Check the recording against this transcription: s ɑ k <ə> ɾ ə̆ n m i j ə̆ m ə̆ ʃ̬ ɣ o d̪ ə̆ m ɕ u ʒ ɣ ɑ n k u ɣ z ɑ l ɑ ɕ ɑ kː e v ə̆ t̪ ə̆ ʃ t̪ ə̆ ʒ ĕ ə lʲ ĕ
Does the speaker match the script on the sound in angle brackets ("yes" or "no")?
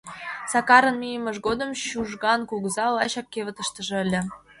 no